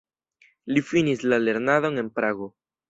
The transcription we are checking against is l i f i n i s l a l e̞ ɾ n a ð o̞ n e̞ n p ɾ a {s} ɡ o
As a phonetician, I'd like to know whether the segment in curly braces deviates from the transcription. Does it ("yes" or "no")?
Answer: yes